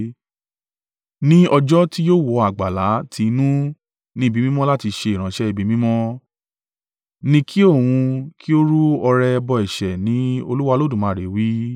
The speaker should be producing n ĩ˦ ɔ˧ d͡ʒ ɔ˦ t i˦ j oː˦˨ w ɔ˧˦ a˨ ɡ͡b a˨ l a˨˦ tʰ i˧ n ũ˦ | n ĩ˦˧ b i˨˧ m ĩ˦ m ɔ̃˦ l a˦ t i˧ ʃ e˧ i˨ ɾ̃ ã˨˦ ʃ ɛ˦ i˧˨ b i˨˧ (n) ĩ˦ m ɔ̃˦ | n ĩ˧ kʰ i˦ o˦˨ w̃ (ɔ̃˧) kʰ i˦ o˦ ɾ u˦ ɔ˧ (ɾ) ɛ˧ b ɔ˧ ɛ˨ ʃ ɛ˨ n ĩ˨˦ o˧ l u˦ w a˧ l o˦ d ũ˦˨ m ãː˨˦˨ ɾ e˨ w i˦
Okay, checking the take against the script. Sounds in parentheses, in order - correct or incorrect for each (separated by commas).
incorrect, incorrect, correct